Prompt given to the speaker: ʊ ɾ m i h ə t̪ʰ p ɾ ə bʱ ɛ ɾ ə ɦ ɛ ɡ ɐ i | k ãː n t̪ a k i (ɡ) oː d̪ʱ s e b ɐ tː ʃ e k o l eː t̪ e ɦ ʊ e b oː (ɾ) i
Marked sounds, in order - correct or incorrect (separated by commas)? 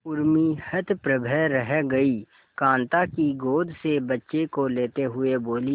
correct, incorrect